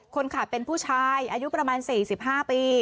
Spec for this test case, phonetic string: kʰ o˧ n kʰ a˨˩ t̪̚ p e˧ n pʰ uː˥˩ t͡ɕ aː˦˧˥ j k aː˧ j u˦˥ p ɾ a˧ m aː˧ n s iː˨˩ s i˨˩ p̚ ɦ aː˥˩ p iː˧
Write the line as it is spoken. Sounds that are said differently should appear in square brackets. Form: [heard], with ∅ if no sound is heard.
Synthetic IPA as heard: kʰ o˧ n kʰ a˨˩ t̪̚ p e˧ n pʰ uː˥˩ [t͡ɕʰ] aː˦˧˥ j [ʔ] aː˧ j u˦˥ p ɾ a˧ m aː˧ n s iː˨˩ s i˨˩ p̚ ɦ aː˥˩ p iː˧